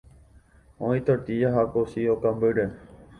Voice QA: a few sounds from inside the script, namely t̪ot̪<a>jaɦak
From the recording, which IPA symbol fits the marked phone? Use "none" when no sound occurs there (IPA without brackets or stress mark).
i